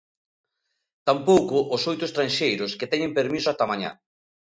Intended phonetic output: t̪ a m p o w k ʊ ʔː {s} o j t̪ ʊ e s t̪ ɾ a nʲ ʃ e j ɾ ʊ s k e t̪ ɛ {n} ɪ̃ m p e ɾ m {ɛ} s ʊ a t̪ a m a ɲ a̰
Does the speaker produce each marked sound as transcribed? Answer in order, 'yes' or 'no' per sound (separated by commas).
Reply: yes, no, no